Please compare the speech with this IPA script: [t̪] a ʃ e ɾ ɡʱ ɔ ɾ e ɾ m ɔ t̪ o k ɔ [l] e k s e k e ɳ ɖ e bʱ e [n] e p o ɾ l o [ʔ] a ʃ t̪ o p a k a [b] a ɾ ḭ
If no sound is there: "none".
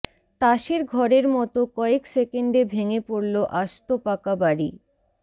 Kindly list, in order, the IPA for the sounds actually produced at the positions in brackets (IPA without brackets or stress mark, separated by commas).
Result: t̪, none, ŋ, ʔ, b